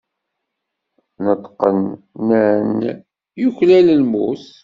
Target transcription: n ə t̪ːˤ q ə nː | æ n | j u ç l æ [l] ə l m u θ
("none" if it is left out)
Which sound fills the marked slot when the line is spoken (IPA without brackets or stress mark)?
l